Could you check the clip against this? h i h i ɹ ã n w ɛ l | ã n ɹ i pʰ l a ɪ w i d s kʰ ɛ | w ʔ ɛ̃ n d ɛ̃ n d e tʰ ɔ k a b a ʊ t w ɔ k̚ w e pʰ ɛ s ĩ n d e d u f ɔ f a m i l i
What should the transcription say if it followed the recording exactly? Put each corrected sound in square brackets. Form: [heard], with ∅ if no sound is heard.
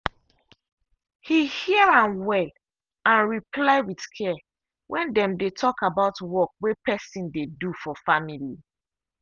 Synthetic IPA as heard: h i h i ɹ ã n w ɛ l | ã n ɹ i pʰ l a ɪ w i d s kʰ ɛ | w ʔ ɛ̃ n d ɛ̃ [m] d e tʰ ɔ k a b a ʊ t w ɔ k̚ w e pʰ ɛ s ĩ n d e d u f ɔ f a m i l i